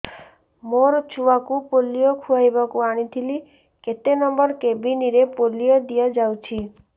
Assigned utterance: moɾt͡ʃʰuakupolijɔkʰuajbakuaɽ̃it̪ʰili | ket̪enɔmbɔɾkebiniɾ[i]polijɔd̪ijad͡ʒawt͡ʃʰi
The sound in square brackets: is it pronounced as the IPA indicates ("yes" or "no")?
no